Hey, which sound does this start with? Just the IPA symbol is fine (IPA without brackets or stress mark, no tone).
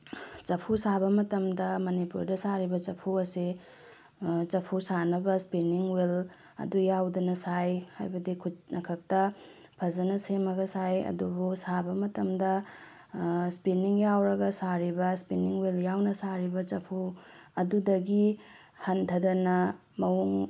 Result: t͡ʃ